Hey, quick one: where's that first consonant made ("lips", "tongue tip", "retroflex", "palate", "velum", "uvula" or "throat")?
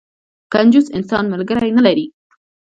velum